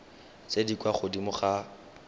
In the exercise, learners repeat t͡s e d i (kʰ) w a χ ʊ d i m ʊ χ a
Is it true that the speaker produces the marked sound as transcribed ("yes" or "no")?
no